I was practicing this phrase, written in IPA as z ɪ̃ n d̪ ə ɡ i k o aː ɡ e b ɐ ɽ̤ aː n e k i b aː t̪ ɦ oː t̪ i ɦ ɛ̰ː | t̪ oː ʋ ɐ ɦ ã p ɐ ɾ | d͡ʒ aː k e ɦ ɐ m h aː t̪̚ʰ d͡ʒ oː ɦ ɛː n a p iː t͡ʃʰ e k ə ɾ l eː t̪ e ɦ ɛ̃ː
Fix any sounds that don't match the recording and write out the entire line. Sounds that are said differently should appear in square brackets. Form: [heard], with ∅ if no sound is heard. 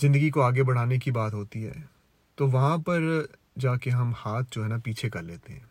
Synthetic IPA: z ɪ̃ n d̪ ə ɡ i k o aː ɡ e b ɐ ɽ̤ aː n e k i b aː t̪ ɦ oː t̪ i ɦ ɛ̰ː | t̪ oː ʋ ɐ ɦ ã p ɐ ɾ | d͡ʒ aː k e ɦ ɐ m h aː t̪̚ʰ d͡ʒ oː ɦ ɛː n a p iː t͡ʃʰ e k [ɐ] ɾ l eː t̪ e ɦ ɛ̃ː